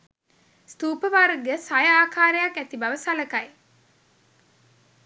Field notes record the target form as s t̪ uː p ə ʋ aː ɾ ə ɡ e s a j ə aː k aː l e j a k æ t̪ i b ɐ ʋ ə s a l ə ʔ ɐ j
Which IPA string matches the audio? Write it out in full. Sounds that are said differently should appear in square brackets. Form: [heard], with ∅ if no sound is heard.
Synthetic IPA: s t̪ uː p ə ʋ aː ɾ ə ɡ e s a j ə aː k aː [ɾ] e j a k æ t̪ i b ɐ ʋ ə s a l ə [k] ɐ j